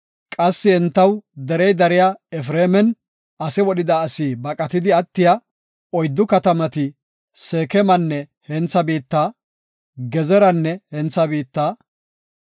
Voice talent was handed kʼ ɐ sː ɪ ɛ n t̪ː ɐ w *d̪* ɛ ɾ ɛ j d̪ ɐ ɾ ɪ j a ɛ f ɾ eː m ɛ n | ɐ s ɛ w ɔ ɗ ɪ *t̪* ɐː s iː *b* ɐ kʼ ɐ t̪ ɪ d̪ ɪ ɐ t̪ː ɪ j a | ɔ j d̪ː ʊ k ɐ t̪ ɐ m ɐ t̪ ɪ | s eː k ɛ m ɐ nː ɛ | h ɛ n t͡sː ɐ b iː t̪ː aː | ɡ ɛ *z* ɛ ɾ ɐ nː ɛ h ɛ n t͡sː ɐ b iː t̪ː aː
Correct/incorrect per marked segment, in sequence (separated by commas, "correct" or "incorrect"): correct, incorrect, correct, correct